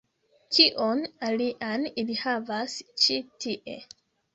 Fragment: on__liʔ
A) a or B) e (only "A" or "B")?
A